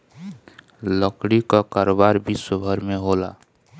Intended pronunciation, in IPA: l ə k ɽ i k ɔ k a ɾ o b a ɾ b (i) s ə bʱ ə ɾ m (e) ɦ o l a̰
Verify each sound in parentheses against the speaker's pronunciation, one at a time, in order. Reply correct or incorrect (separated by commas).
correct, correct